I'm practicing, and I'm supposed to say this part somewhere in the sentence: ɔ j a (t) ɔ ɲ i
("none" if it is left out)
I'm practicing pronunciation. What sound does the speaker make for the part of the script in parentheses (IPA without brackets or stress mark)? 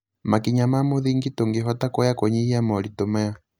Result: k